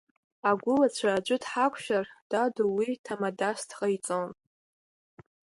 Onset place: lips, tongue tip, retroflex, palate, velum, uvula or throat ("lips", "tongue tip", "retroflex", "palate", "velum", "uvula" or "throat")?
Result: velum